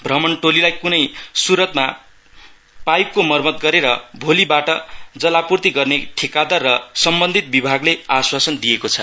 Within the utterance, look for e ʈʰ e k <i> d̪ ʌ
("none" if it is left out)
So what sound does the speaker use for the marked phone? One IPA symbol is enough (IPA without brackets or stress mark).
a